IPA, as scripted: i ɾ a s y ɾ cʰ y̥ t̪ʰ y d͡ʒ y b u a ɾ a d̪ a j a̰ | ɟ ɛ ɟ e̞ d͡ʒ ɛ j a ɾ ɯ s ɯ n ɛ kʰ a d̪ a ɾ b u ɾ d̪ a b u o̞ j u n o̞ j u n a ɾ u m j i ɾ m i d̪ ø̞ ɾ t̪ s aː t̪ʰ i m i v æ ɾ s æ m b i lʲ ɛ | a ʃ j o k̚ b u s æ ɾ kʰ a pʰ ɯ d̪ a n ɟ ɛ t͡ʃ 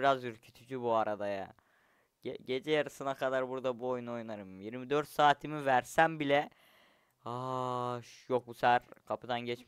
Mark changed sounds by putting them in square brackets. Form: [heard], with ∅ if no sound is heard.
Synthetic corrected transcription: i ɾ a [z] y ɾ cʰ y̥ t̪ʰ y d͡ʒ y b u a ɾ a d̪ a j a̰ | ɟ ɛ ɟ e̞ d͡ʒ ɛ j a ɾ ɯ s ɯ n [a] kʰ a d̪ a ɾ b u ɾ d̪ a b u o̞ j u n o̞ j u n a ɾ [ɯ] m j i ɾ m i d̪ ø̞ ɾ t̪ s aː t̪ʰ i m i v æ ɾ s æ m b i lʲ ɛ | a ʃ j o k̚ b u s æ ɾ kʰ a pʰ ɯ d̪ a n ɟ ɛ t͡ʃ